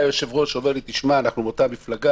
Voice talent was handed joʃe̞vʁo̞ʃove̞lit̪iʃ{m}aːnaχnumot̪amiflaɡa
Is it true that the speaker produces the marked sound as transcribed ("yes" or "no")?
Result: yes